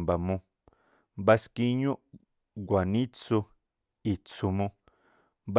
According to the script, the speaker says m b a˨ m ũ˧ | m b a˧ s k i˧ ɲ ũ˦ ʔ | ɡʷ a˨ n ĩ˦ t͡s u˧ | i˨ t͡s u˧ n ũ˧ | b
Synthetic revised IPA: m b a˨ m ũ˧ | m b a˧ s k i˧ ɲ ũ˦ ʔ | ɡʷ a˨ n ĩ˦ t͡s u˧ | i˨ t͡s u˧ m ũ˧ | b